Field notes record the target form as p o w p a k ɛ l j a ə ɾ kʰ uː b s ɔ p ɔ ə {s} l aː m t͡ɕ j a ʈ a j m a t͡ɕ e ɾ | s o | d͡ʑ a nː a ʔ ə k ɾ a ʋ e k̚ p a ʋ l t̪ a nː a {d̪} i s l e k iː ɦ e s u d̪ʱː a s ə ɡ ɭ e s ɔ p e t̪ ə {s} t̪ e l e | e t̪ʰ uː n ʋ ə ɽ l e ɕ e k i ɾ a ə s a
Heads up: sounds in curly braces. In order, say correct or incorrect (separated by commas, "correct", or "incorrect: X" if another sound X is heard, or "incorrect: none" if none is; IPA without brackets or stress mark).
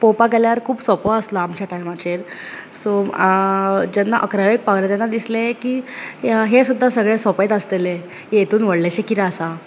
correct, correct, correct